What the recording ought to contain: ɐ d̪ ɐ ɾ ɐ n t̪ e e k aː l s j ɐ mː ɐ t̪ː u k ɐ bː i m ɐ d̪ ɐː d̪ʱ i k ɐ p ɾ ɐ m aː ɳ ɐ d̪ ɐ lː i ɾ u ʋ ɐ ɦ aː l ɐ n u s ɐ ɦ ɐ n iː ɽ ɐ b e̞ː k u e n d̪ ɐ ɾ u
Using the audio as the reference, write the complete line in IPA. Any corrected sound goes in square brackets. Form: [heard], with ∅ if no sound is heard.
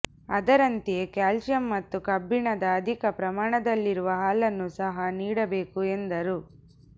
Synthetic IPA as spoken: ɐ d̪ ɐ ɾ ɐ n t̪ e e k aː l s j ɐ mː ɐ t̪ː u k ɐ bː i [ɳ] ɐ d̪ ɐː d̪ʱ i k ɐ p ɾ ɐ m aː ɳ ɐ d̪ ɐ lː i ɾ u ʋ ɐ ɦ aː l ɐ [nː] u s ɐ ɦ ɐ n iː ɽ ɐ b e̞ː k u e n d̪ ɐ ɾ u